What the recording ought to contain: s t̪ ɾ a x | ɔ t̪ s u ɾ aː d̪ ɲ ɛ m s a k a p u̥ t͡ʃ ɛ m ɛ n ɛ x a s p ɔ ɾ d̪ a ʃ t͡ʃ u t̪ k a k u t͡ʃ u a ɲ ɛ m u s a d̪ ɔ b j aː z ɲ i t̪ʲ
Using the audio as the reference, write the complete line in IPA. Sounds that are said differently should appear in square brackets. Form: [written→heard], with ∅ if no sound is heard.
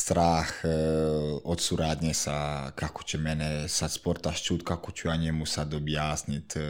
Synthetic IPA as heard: s t̪ ɾ a x | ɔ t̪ s u ɾ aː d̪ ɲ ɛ [m→∅] s a k a [p→k] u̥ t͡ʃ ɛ m ɛ n ɛ [x→s] a s p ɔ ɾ [d̪→t̪] a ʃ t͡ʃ u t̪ k a k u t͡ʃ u a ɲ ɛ m u s a d̪ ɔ b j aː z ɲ i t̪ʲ